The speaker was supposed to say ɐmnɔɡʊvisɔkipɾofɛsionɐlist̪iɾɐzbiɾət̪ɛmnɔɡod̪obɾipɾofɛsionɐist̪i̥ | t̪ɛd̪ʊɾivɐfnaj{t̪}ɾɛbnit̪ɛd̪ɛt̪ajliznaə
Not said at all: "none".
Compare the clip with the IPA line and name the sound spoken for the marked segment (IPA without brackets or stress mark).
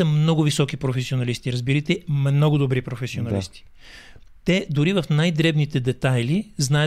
d̪